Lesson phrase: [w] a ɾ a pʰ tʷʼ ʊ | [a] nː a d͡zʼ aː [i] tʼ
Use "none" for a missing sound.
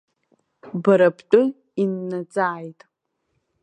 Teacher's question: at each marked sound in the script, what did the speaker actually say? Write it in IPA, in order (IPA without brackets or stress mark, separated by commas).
b, i, j